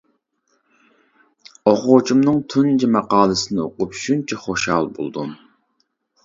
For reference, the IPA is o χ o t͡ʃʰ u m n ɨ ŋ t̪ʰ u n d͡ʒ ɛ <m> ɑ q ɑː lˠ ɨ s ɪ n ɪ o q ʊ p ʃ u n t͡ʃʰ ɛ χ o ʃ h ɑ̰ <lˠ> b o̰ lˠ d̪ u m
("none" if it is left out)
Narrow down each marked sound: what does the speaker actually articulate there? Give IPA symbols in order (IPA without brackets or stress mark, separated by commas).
m, lˠ